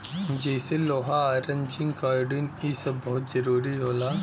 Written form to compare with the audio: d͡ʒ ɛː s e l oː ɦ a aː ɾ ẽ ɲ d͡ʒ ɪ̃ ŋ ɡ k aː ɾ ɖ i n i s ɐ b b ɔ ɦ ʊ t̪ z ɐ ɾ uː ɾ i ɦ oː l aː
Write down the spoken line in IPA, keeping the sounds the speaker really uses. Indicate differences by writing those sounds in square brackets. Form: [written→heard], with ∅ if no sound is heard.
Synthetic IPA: d͡ʒ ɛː s e l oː ɦ a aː ɾ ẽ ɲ d͡ʒ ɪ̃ ŋ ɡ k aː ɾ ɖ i n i s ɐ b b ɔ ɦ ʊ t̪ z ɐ ɾ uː ɾ i ɦ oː l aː